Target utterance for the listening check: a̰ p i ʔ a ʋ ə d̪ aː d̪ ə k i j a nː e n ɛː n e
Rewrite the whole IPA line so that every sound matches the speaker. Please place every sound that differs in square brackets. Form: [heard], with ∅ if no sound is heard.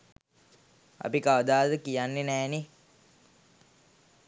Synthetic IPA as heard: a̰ p i [k] a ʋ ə d̪ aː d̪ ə k i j a nː e n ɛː n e